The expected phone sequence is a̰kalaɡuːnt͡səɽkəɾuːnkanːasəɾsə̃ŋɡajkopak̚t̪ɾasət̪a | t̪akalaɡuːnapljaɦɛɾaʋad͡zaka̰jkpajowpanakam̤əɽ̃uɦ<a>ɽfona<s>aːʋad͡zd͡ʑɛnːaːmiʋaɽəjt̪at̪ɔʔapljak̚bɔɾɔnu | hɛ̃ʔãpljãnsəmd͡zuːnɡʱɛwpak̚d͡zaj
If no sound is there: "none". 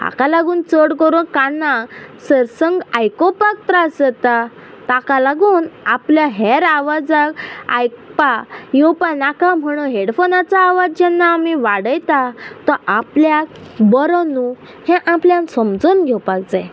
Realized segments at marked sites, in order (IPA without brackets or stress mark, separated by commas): e, t͡s